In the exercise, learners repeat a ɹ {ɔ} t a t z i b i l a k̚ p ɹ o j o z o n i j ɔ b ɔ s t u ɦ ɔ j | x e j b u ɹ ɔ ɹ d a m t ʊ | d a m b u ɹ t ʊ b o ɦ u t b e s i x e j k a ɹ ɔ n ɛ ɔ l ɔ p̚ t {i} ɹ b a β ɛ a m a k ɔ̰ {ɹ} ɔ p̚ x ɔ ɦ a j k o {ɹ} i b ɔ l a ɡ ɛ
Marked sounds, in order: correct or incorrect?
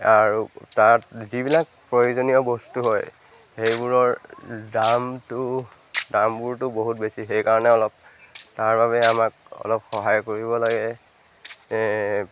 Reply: incorrect: u, incorrect: a, incorrect: l, correct

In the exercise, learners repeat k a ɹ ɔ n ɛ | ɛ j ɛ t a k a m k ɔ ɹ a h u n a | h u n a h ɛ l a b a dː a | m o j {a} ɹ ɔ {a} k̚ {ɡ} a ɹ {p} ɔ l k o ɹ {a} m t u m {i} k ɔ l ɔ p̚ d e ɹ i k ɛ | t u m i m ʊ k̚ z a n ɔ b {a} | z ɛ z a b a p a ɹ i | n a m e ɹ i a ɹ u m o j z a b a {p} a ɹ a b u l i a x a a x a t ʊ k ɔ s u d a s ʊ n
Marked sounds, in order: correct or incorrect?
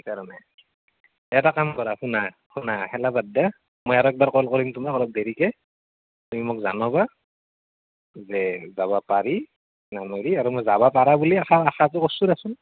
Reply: correct, incorrect: ɛ, incorrect: b, incorrect: k, incorrect: i, incorrect: a, correct, correct

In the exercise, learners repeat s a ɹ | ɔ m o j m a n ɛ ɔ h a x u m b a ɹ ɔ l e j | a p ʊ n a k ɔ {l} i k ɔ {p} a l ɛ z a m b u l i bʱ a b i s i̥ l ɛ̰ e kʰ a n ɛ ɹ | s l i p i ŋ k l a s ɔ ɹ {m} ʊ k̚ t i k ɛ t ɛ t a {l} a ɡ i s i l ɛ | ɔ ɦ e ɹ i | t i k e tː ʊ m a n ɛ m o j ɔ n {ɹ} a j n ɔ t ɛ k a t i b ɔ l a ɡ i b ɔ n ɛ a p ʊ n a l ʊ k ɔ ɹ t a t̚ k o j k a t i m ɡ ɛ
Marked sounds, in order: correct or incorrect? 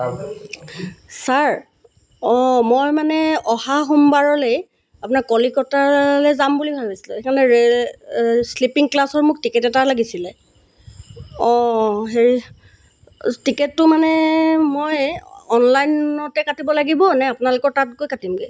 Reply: correct, incorrect: t, correct, correct, incorrect: l

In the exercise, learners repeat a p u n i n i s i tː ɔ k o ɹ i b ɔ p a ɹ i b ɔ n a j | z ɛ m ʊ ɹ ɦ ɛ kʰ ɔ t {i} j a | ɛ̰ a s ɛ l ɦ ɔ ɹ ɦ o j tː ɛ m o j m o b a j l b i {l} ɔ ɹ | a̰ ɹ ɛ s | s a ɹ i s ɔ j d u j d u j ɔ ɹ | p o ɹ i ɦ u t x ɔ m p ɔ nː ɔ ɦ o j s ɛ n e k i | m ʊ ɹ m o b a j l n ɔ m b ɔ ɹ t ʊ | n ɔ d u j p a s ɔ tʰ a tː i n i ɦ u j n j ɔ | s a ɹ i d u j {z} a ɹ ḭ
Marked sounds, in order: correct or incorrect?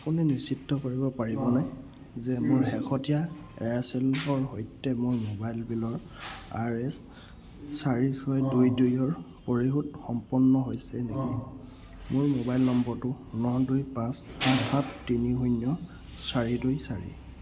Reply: correct, correct, incorrect: s

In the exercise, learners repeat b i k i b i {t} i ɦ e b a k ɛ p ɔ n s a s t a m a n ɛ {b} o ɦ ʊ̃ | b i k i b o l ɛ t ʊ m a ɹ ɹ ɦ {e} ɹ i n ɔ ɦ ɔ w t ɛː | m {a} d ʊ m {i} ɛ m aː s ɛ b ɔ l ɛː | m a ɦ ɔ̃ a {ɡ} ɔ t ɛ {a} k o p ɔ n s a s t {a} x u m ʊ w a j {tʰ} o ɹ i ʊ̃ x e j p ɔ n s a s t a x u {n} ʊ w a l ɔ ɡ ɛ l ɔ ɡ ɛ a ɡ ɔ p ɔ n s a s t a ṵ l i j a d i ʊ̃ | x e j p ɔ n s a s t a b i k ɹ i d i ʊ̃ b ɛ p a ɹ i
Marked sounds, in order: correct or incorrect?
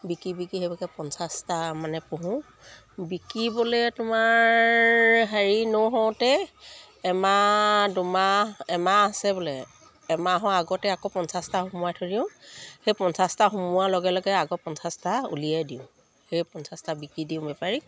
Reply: incorrect: k, incorrect: p, incorrect: a, correct, incorrect: a, correct, correct, correct, correct, incorrect: m

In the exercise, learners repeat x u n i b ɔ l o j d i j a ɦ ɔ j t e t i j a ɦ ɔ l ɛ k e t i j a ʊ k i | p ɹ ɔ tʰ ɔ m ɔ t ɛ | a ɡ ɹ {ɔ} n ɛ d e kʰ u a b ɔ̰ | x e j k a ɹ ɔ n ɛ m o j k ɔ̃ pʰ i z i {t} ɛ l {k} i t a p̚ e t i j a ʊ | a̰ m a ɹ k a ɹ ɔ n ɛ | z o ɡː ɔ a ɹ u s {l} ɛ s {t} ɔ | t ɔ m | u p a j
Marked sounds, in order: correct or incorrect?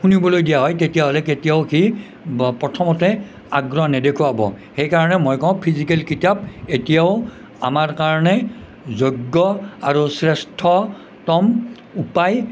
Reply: correct, incorrect: k, correct, incorrect: ɹ, incorrect: tʰ

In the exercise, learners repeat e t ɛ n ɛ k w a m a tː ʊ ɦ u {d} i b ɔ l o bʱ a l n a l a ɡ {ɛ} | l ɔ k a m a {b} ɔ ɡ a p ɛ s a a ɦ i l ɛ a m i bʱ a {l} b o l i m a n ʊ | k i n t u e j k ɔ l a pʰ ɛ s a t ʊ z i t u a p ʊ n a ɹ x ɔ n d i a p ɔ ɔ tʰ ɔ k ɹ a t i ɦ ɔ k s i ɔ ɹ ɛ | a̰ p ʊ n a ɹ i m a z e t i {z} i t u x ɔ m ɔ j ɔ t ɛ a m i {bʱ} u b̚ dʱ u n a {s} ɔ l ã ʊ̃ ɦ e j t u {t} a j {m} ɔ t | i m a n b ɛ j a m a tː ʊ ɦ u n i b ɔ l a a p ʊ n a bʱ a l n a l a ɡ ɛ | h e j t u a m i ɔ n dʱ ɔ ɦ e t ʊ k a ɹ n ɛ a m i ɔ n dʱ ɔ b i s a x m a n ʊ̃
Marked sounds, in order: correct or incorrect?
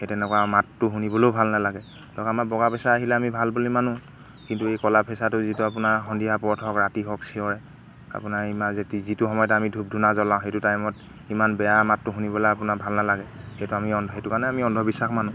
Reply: incorrect: n, correct, correct, correct, correct, incorrect: dʱ, incorrect: z, correct, correct

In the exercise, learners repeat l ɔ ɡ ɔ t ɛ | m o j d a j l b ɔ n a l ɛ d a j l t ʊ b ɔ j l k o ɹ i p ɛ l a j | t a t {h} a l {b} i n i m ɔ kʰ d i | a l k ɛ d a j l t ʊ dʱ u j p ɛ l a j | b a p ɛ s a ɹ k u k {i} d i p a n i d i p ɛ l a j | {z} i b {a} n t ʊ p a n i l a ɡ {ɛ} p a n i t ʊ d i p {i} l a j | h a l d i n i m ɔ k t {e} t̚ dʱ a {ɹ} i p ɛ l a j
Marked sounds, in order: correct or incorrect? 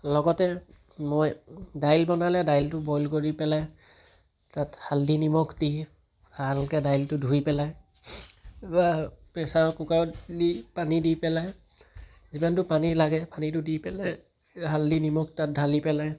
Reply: correct, incorrect: d, incorrect: a, correct, correct, correct, incorrect: ɛ, incorrect: a, incorrect: l

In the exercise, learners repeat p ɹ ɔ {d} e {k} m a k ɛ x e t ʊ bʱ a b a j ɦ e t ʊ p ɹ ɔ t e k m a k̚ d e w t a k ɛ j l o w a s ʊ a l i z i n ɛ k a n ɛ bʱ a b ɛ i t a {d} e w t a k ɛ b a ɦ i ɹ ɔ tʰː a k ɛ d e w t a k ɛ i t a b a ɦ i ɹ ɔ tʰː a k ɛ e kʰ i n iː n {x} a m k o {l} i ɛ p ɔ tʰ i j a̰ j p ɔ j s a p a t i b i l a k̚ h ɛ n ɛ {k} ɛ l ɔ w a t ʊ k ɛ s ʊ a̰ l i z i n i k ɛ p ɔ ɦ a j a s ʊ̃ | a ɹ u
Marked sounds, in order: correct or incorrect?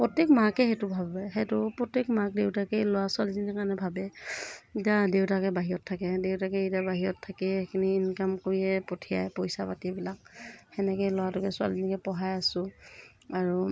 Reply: incorrect: t, correct, correct, incorrect: k, incorrect: ɹ, correct

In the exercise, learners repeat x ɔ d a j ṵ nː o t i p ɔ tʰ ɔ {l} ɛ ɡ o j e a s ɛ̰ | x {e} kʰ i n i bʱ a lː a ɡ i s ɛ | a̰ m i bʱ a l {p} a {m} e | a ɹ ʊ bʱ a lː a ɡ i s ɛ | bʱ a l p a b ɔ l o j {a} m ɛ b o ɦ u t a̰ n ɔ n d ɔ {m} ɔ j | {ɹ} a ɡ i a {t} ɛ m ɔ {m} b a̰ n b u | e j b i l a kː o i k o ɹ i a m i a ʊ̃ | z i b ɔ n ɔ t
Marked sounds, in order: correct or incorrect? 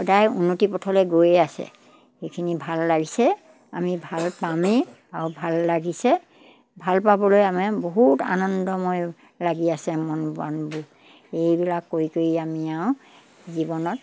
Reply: correct, correct, correct, correct, correct, correct, incorrect: l, incorrect: s, incorrect: n

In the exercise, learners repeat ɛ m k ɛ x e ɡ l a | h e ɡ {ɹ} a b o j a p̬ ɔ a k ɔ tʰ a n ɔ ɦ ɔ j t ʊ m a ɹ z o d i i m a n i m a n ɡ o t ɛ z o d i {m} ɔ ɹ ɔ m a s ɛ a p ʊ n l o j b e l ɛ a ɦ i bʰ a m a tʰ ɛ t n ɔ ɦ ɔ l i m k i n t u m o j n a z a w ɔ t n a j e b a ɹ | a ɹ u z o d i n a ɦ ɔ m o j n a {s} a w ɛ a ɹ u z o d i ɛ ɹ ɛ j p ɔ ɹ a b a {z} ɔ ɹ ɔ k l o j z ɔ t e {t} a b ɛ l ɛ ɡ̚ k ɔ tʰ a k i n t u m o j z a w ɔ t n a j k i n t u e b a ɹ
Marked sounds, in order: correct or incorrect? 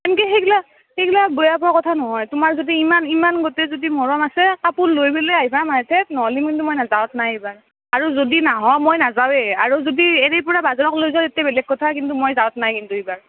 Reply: incorrect: l, correct, incorrect: z, correct, correct

